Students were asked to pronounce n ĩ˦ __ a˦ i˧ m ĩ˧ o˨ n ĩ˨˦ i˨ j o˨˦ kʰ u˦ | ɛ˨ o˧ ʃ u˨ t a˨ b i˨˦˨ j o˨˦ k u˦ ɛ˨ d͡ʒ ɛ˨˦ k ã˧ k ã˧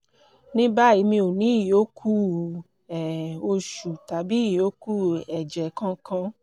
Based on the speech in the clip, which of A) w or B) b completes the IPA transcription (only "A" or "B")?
B